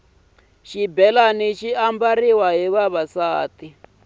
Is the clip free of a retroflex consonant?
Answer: yes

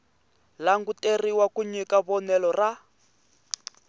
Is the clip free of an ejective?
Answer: yes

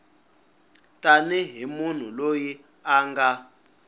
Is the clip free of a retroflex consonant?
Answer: yes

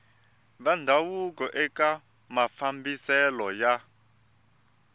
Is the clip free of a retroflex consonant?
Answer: yes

